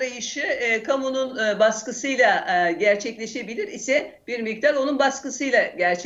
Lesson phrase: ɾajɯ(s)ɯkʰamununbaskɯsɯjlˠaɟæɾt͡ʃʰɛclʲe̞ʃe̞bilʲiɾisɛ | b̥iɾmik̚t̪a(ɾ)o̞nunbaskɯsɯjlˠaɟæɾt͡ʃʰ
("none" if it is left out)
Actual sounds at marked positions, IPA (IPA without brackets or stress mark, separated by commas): ʃ, ɾ